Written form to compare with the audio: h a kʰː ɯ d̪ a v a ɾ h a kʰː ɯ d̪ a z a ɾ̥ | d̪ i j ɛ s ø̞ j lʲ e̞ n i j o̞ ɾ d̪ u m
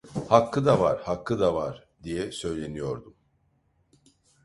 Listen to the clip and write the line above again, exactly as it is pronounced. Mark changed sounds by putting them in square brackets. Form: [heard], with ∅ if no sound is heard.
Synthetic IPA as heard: h a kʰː ɯ d̪ a v a ɾ h a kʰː ɯ d̪ a [v] a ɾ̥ | d̪ i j ɛ s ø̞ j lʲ e̞ n i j o̞ ɾ d̪ u m